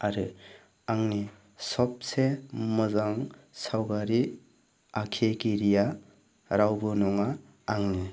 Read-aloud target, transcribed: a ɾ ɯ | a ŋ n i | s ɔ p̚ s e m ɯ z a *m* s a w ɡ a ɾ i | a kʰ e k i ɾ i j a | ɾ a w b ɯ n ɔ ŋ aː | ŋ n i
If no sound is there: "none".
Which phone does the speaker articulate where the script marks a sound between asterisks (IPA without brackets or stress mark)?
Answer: ŋ